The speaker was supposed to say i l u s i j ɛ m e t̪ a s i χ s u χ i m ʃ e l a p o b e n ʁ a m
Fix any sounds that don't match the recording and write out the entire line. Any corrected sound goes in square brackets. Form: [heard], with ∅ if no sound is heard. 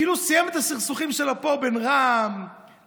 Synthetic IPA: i l u s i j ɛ m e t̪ a s i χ s u χ i m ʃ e l a p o b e n ʁ a m